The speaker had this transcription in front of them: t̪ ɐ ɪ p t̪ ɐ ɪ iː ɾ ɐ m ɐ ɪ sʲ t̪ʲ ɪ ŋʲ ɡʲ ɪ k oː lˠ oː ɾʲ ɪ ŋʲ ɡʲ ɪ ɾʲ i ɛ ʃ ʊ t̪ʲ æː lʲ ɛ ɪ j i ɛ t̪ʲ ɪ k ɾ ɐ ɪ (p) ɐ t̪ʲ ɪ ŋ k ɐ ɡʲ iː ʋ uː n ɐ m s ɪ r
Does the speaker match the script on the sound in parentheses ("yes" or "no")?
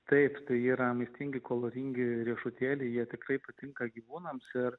yes